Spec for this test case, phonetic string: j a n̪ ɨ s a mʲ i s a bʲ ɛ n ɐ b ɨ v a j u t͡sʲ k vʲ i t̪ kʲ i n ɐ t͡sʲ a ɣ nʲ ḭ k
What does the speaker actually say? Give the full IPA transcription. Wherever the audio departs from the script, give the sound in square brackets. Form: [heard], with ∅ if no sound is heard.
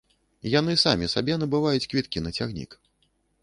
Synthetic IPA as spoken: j a n̪ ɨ s a mʲ i s a bʲ ɛ n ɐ b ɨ v a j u t͡sʲ k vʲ i t̪ kʲ i n ɐ t͡sʲ a ɣ nʲ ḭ k